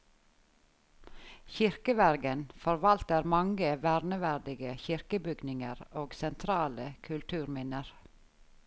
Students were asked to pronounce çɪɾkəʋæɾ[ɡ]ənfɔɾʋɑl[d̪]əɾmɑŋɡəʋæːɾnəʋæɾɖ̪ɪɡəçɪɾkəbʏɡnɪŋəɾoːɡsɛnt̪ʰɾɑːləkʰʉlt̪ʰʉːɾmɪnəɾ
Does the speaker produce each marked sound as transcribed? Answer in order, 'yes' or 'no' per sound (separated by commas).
yes, no